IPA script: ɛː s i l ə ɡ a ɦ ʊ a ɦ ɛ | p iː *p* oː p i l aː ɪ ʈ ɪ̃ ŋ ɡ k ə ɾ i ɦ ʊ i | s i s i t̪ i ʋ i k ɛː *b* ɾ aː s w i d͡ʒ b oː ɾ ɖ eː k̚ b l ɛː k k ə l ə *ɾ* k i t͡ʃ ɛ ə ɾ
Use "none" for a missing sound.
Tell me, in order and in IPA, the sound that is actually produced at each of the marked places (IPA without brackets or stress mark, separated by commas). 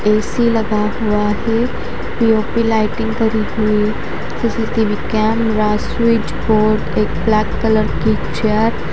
none, m, ɾ